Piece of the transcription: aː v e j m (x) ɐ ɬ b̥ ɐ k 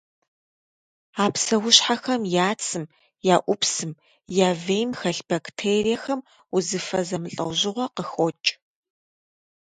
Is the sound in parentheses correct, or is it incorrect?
correct